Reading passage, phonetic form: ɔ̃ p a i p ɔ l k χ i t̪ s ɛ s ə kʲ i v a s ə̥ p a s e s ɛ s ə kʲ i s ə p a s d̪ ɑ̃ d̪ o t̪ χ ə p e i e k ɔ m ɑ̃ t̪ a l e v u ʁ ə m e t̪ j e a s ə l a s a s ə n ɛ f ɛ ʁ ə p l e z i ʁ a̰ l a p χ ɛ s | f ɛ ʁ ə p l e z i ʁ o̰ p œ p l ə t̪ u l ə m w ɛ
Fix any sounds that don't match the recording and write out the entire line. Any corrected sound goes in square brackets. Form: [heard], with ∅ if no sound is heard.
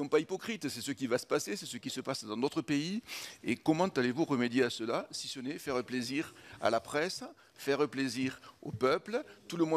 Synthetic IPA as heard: ɔ̃ p a i p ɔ [∅] k χ i t̪ s ɛ s ə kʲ i v a s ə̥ p a s e s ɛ s ə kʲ i s ə p a s d̪ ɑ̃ d̪ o t̪ χ ə p e i e k ɔ m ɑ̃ t̪ a l e v u ʁ ə m e [d̪] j e a s ə l a s [i] s ə n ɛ f ɛ ʁ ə p l e z i ʁ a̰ l a p χ ɛ s | f ɛ ʁ ə p l e z i ʁ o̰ p œ p l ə t̪ u l ə m w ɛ

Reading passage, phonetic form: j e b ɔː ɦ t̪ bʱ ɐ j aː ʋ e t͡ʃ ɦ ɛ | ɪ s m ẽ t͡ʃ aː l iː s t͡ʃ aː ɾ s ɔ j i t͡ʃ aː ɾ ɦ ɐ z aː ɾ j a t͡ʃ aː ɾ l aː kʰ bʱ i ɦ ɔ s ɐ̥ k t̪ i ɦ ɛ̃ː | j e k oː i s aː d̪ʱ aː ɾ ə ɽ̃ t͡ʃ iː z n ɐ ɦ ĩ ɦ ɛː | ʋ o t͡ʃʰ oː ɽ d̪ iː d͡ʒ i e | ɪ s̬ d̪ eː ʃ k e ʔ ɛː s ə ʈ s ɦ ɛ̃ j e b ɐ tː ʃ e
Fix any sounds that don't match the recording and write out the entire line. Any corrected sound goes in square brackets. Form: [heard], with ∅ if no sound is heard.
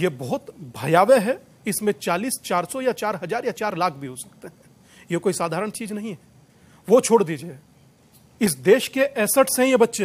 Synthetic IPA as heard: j e b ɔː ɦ t̪ bʱ ɐ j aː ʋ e [∅] ɦ ɛ | ɪ s m ẽ t͡ʃ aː l iː s t͡ʃ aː ɾ s ɔ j [a] t͡ʃ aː ɾ ɦ ɐ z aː ɾ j a t͡ʃ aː ɾ l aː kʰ bʱ i ɦ [o] s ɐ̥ k t̪ [e] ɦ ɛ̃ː | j e k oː i s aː d̪ʱ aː ɾ ə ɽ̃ t͡ʃ iː z n ɐ ɦ ĩ ɦ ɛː | ʋ o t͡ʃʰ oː ɽ d̪ iː d͡ʒ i e | ɪ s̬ d̪ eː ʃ k e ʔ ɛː s ə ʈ s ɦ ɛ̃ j e b ɐ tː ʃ e

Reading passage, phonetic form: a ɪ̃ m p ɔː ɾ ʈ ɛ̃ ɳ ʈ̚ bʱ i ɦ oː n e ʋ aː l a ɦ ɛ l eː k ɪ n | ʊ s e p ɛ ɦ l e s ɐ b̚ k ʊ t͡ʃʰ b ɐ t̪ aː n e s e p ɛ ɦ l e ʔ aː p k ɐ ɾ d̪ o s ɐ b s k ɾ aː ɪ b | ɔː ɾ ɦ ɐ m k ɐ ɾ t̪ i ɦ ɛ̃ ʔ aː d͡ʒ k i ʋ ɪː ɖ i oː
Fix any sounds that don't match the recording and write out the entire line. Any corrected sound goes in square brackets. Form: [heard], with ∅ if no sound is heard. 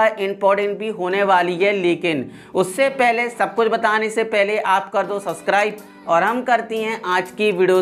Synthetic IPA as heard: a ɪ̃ m p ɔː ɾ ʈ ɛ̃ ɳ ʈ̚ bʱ i ɦ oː n e ʋ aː l [i] ɦ ɛ l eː k ɪ n | ʊ [sː] e p ɛ ɦ l e s ɐ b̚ k ʊ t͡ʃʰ b ɐ t̪ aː n e s e p ɛ ɦ l e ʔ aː p k ɐ ɾ d̪ o s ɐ b s k ɾ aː ɪ b | ɔː ɾ ɦ ɐ m k ɐ ɾ t̪ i ɦ ɛ̃ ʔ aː d͡ʒ k i ʋ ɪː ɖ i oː

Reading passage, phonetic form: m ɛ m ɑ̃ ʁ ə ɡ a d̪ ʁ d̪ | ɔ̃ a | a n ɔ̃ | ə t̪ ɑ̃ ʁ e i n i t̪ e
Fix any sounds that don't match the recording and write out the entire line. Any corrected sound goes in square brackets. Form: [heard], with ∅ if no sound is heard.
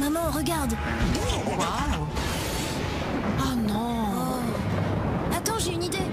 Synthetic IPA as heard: m [a] m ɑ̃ ʁ ə ɡ a [∅] ʁ d̪ | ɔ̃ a | a n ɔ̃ | [a] t̪ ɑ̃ [ʒ] e [y] n i [d̪] e

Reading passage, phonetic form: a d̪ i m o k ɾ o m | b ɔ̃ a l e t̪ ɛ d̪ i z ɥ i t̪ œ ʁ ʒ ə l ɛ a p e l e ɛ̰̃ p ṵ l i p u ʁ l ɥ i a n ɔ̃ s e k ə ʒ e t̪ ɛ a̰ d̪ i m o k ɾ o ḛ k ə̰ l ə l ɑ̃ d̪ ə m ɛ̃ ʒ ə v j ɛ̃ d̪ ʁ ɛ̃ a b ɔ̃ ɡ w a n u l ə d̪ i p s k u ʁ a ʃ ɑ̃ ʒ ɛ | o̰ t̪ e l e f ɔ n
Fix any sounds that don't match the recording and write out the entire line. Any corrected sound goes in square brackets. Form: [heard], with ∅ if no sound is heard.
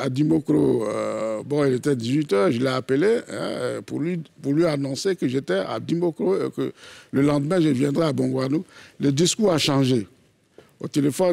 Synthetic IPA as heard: a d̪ i m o k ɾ o [∅] | b ɔ̃ [i] l e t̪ ɛ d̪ i z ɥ i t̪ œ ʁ ʒ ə l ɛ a p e l e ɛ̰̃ p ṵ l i p u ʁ l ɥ i a n ɔ̃ s e k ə ʒ e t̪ ɛ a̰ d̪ i m o k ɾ o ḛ k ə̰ l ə l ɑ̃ d̪ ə m ɛ̃ ʒ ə v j ɛ̃ d̪ ʁ [ɛ] a b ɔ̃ ɡ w a n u l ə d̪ i [∅] s k u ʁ a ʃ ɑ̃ ʒ [e] | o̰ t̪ e l e f ɔ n

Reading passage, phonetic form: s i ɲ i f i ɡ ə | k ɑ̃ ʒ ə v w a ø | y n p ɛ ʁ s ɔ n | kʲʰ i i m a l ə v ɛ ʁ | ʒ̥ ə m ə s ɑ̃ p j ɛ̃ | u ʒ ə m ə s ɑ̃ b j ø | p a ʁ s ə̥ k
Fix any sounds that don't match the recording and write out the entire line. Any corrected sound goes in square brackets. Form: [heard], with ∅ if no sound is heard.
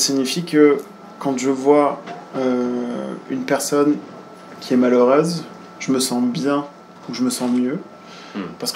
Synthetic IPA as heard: s i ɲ i f i [k] ə | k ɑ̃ ʒ ə v w a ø | y n p ɛ ʁ s ɔ n | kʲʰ i [ɛ] m a l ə [ʁ] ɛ [z] | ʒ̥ ə m ə s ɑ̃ [b] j ɛ̃ | u ʒ ə m ə s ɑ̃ [m] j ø | p a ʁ s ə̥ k

